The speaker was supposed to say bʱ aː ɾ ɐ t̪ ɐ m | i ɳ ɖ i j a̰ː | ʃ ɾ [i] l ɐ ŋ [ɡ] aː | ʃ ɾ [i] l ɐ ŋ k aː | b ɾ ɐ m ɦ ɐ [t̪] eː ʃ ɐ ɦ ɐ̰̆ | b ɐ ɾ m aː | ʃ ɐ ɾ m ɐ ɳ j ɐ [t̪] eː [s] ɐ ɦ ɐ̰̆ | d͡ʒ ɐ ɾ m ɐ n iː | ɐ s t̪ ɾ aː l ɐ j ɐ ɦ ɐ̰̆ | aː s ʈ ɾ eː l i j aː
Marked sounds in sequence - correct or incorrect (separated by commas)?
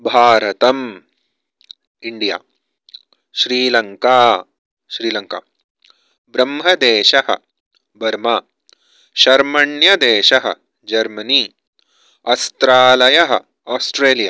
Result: incorrect, incorrect, incorrect, incorrect, incorrect, incorrect